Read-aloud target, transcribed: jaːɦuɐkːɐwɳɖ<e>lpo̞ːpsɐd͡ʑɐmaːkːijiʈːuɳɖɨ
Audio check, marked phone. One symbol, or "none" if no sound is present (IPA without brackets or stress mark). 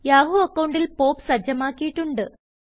i